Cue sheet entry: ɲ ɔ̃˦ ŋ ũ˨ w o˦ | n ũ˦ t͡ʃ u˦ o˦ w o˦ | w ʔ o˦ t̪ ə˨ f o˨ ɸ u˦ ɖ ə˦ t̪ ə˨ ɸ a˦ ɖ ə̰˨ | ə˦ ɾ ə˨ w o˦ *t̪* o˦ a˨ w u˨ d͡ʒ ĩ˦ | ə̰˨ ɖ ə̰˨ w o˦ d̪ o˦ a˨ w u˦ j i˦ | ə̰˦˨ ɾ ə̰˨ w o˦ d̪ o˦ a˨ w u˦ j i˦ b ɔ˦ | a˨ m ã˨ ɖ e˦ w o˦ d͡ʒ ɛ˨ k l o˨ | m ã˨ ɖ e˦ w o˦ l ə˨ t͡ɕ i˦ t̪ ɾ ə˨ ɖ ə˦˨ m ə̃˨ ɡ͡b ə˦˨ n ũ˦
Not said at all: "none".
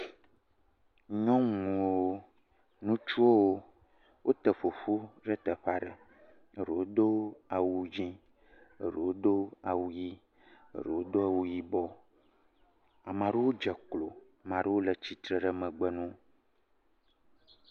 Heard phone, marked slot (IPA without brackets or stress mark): d̪